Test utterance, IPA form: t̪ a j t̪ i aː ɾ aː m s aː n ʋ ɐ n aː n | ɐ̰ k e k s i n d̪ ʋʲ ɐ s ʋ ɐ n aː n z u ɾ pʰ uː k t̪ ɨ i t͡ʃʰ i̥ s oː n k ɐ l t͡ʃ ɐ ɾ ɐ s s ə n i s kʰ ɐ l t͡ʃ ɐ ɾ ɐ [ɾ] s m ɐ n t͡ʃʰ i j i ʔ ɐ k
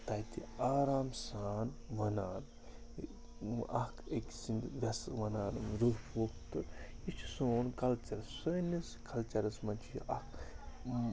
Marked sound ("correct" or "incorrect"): incorrect